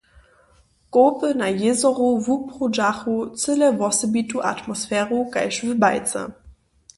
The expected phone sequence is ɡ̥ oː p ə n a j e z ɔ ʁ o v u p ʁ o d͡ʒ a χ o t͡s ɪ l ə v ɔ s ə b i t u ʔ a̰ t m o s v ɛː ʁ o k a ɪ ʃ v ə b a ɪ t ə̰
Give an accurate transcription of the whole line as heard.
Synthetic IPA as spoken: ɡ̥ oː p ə n a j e z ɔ ʁ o v u p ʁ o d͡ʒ a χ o t͡s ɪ l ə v ɔ s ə b i t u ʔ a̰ t m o s f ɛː ʁ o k a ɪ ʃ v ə b a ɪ t͡s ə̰